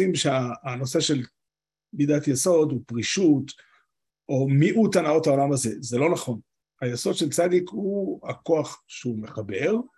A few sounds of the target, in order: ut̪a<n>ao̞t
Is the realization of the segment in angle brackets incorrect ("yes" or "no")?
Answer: no